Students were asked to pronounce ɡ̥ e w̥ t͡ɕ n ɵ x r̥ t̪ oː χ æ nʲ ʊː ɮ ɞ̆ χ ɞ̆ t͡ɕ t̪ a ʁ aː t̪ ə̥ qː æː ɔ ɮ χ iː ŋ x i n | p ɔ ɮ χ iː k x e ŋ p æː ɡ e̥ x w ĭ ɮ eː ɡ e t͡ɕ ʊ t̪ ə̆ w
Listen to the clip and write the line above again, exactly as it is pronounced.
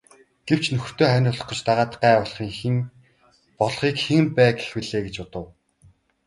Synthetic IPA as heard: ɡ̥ e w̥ t͡ɕ n ɵ x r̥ t̪ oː χ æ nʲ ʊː ɮ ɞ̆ χ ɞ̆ t͡ɕ t̪ a ʁ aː t̪ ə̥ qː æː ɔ ɮ χ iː ŋ x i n | p ɔ ɮ χ iː k x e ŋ p æː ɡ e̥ x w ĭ ɮ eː ɡ e t͡ɕ ʊ t̪ ə̆ w